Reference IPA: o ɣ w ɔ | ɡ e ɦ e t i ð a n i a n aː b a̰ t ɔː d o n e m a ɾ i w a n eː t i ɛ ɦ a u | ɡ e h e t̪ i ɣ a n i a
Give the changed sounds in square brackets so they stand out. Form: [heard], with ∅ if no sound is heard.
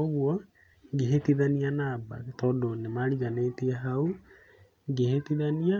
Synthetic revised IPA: o ɣ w ɔ | ɡ e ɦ e t i ð a n i a n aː b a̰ t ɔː d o n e m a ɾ i [ɣ] a n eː t i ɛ ɦ a u | ɡ e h e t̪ i [ð] a n i a